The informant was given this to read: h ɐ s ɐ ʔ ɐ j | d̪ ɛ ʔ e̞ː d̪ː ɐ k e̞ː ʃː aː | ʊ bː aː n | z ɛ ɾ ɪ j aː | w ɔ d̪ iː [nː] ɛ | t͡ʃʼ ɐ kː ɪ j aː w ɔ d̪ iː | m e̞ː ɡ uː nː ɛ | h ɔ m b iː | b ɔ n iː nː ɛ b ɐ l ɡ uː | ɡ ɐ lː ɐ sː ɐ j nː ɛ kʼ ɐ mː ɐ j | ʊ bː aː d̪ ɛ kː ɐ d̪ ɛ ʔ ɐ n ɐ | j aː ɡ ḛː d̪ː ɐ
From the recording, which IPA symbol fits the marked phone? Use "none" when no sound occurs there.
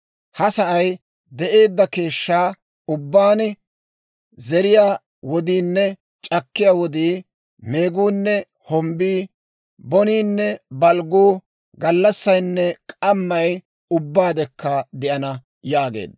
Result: nː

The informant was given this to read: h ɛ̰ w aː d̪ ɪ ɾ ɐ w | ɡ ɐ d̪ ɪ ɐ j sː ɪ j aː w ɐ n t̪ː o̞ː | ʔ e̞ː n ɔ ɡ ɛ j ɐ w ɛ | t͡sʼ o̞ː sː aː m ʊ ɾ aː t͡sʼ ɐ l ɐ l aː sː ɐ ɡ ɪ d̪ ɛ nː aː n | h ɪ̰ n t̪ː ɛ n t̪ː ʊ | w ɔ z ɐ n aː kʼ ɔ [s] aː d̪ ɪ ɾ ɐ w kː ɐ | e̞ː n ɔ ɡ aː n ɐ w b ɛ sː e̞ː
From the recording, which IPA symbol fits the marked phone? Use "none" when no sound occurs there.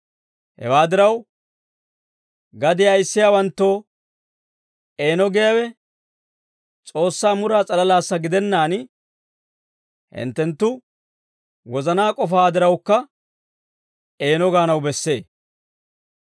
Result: f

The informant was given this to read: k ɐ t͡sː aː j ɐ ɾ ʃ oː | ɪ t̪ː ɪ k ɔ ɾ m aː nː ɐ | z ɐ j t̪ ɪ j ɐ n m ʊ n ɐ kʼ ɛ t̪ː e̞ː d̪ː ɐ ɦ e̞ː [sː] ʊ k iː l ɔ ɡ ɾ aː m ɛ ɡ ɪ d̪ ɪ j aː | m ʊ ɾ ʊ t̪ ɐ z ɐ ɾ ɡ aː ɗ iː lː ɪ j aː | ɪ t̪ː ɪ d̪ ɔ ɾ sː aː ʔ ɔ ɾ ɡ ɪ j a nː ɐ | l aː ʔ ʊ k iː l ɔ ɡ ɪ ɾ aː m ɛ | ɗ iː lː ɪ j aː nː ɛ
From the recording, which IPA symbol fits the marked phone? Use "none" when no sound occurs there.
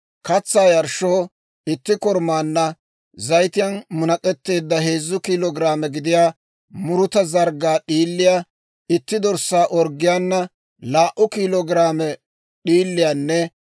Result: zː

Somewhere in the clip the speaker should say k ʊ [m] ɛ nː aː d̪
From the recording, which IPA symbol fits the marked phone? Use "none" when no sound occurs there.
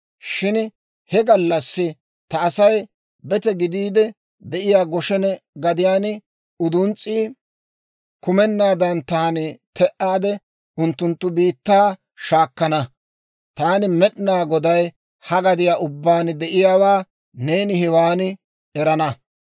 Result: m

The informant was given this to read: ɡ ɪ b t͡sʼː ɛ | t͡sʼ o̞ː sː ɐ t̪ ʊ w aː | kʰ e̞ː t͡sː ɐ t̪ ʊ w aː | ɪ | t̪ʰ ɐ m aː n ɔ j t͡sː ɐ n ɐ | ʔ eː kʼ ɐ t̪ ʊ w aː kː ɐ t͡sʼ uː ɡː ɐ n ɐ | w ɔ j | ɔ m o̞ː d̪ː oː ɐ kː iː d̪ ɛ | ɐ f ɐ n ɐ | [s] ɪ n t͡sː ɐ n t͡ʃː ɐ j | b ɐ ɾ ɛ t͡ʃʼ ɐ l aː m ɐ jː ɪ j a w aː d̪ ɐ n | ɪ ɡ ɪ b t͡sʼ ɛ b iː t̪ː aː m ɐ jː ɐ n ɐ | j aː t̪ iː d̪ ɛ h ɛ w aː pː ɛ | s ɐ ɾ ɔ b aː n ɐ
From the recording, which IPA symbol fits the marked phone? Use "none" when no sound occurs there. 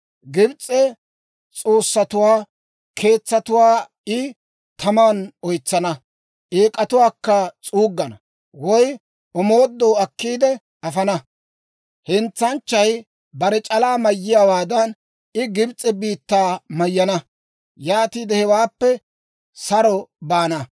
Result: h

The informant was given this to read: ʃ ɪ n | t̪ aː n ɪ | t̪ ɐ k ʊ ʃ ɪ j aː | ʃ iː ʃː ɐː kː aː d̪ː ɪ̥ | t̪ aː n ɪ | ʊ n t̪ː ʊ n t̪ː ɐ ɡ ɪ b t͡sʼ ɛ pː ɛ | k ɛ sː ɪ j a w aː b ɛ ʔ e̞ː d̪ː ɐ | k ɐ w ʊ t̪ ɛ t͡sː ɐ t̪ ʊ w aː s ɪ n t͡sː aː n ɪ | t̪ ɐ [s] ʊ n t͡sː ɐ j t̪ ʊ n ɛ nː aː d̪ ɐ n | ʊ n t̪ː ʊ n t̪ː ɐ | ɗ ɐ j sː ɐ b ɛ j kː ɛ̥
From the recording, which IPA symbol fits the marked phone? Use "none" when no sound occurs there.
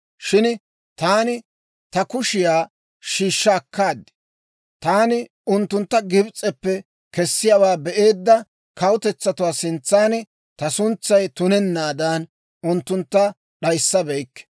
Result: s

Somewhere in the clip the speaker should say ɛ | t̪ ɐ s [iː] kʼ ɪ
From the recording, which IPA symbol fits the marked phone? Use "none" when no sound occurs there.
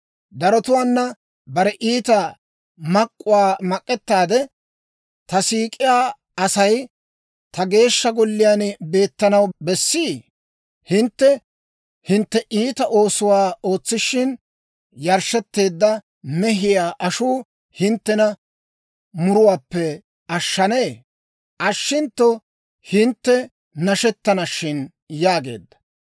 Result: iː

